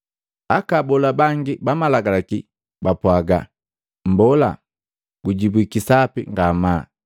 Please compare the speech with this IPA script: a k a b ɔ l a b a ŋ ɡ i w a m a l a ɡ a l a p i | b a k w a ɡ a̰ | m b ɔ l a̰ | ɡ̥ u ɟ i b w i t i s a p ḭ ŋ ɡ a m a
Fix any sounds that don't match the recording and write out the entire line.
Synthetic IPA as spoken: a k a b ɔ l a b a ŋ ɡ i b a m a l a ɡ a l a k i | b a p w a ɡ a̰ | m b ɔ l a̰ | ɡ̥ u ɟ i b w i k i s a p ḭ ŋ ɡ a m a